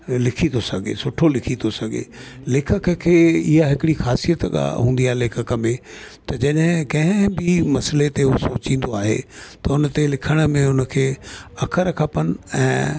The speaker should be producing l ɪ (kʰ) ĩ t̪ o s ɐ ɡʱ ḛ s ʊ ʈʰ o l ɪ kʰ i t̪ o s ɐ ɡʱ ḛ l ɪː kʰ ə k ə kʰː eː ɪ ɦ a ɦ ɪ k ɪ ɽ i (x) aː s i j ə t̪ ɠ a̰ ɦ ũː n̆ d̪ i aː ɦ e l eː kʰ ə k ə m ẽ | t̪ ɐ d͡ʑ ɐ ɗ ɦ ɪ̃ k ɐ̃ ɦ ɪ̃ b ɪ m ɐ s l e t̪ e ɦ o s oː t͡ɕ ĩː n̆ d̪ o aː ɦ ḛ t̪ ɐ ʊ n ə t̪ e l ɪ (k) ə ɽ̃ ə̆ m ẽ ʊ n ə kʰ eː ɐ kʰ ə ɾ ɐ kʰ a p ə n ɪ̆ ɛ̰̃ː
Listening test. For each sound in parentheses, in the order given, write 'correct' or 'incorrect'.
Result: correct, correct, incorrect: kʰ

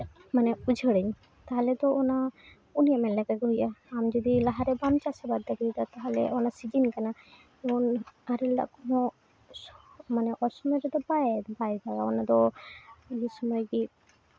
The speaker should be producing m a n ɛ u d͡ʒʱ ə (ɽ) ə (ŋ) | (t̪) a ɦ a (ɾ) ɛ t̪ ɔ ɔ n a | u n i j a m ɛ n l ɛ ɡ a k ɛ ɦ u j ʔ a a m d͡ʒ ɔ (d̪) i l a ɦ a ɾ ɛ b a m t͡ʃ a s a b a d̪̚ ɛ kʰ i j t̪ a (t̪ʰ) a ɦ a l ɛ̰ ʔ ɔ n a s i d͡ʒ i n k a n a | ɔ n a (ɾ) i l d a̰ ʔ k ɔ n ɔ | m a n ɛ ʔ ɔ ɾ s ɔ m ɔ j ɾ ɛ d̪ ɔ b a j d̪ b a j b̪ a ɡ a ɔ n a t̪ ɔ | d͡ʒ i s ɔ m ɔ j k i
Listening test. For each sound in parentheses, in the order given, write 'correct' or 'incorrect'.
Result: correct, incorrect: ɲ, correct, incorrect: l, correct, incorrect: t̪, correct

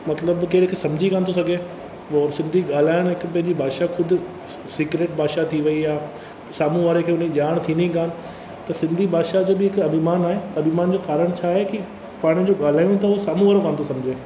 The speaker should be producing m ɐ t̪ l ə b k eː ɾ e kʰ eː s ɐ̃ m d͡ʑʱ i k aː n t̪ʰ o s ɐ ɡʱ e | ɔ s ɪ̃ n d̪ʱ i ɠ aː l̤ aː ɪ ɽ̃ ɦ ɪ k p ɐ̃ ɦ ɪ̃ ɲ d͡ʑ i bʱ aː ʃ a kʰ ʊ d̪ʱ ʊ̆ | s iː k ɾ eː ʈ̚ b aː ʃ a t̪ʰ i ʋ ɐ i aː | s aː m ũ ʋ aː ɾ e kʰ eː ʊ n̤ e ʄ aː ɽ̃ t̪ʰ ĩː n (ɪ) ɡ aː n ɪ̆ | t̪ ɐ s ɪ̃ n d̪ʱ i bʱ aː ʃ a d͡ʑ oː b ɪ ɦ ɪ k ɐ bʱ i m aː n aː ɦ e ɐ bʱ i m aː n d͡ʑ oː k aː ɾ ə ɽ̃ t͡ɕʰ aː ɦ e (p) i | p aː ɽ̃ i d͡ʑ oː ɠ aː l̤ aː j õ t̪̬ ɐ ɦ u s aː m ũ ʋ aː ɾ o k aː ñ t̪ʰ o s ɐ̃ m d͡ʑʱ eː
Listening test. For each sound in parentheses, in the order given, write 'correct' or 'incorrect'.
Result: incorrect: i, incorrect: k

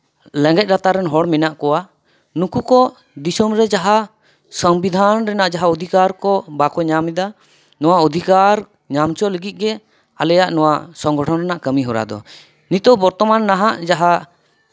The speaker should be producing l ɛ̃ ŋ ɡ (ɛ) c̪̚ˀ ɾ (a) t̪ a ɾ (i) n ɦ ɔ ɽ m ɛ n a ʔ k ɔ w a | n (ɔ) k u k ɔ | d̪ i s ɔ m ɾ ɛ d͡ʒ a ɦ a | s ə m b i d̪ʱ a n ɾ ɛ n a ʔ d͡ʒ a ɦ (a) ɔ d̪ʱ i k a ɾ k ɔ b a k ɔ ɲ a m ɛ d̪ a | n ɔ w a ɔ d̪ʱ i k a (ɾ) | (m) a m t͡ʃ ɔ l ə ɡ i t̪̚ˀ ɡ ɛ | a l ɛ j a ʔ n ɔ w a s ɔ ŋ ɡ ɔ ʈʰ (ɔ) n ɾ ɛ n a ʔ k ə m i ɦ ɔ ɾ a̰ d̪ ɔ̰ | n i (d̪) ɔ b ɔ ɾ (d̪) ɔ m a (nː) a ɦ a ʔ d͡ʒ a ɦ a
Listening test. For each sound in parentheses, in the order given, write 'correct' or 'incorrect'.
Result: correct, correct, incorrect: ɛ, incorrect: u, correct, correct, incorrect: ɲ, correct, incorrect: t̪, incorrect: t̪, correct

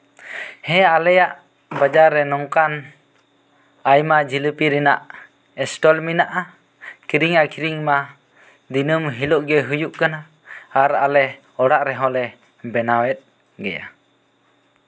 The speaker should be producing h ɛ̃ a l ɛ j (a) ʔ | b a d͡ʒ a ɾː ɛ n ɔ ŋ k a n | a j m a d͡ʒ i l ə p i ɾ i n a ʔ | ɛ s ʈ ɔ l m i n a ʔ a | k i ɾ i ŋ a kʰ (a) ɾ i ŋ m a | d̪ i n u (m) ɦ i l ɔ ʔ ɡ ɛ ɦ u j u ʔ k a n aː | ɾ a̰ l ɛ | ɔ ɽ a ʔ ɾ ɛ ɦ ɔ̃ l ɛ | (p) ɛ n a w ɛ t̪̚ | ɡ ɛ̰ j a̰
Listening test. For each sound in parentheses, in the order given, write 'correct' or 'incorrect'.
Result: correct, incorrect: i, correct, incorrect: b

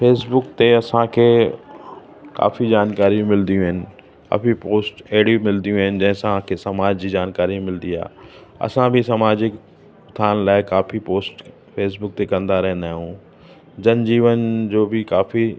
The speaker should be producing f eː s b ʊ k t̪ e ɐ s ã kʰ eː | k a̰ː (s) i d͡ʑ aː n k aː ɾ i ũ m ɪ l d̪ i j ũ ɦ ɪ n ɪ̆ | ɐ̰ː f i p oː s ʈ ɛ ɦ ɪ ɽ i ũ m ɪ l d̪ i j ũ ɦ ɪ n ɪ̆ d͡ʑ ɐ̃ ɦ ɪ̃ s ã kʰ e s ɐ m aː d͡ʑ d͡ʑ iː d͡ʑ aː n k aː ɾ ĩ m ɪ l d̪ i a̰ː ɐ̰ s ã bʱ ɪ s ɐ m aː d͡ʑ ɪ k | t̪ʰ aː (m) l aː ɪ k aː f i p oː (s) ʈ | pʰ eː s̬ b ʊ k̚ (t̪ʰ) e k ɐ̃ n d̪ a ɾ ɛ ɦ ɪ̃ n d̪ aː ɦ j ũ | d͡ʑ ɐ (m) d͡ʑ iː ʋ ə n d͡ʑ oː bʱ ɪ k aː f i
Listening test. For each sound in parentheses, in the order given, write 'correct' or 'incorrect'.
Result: incorrect: f, incorrect: n, correct, incorrect: t̪, incorrect: n

